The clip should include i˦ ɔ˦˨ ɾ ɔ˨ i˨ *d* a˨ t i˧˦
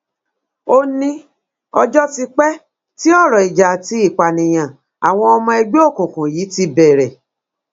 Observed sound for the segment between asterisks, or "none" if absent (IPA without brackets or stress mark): d͡ʒ